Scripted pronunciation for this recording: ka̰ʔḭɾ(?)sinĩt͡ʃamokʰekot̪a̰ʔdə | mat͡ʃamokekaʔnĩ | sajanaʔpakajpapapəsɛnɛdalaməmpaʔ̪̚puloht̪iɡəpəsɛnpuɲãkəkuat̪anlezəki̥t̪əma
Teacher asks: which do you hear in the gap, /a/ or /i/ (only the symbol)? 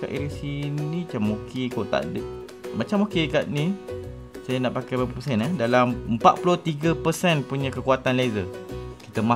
i